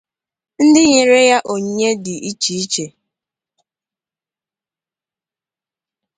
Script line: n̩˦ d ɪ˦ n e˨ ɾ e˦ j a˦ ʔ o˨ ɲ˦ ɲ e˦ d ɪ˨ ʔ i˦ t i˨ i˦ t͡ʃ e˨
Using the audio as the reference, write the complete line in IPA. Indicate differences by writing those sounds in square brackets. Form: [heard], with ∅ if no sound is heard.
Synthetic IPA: n̩˦ d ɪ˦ [ɲ] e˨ ɾ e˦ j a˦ ʔ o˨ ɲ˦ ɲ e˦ d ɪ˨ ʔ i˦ [t͡ʃ] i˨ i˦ t͡ʃ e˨